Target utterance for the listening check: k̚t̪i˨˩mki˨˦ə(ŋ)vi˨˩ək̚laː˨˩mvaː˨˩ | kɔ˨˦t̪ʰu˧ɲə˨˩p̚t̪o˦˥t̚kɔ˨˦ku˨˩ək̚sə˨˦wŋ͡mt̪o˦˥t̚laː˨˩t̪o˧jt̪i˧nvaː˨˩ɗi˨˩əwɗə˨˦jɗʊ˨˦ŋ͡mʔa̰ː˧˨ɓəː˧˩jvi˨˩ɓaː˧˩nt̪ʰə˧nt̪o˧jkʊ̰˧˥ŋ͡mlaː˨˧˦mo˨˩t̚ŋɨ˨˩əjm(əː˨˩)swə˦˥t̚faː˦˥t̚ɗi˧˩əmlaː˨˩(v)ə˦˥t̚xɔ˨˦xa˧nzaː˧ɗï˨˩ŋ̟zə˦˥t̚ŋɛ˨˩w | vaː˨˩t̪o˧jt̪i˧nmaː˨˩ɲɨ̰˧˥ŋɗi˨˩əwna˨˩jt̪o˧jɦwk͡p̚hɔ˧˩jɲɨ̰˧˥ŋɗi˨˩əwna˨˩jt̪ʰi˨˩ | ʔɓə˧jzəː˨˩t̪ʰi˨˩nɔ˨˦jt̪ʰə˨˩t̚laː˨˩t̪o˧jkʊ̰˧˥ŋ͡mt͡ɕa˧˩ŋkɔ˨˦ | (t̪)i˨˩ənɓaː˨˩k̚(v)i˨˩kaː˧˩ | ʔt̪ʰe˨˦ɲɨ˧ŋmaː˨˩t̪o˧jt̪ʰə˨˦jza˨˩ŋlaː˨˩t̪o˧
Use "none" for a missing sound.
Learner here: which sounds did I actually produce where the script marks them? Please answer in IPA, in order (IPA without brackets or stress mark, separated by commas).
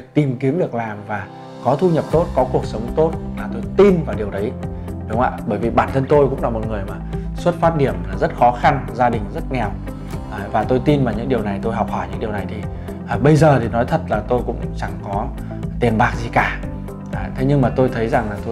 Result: m, aː˨˩, z, t̪, z